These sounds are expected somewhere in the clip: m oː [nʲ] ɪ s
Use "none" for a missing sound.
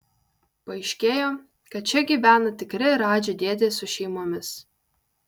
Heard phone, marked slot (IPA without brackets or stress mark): mʲ